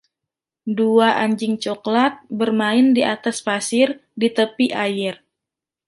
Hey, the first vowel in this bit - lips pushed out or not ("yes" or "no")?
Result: yes